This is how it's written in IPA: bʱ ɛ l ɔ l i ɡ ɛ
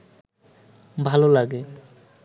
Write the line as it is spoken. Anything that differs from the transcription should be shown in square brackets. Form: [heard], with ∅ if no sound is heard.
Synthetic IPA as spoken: bʱ [a] l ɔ l [a] ɡ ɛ

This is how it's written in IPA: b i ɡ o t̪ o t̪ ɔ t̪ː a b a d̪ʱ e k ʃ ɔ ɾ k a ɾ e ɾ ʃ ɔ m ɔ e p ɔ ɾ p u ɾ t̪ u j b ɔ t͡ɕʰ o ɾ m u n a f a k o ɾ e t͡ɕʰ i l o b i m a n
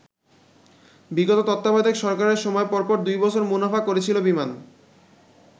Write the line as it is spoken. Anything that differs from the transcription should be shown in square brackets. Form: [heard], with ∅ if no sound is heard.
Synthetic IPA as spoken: b i ɡ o t̪ o t̪ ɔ t̪ː a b a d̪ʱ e k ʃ ɔ ɾ k a ɾ e ɾ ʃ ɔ m ɔ e p ɔ ɾ p [ɔ] ɾ [d̪] u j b ɔ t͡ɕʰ o ɾ m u n a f a k o ɾ e t͡ɕʰ i l o b i m a n

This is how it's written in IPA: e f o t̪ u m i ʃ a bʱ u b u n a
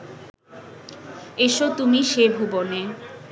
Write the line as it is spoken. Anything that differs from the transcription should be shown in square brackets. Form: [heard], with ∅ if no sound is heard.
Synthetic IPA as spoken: e [ʃ] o t̪ u m i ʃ [e] bʱ u b [o] n [e]

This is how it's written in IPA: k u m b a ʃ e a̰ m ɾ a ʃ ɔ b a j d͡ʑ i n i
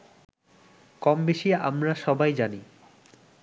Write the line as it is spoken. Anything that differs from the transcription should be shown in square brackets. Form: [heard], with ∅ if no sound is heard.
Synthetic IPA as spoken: k [ɔ] m b [e] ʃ [i] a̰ m ɾ a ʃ ɔ b a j d͡ʑ [a] n i

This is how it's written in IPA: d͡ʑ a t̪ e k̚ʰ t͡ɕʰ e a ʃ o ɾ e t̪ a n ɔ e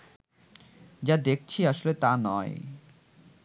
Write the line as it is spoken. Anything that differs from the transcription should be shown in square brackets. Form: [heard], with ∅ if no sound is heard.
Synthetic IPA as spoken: d͡ʑ a [d̪] e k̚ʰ t͡ɕʰ [i] a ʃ o [l] e t̪ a n ɔ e

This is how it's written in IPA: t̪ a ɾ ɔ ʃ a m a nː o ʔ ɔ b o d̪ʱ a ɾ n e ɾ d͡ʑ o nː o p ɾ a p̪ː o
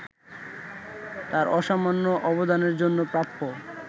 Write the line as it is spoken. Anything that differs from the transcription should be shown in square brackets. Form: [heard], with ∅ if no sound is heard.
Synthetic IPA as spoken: t̪ a ɾ ɔ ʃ a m a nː o ʔ ɔ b o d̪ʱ a [∅] n e ɾ d͡ʑ o nː o p ɾ a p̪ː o

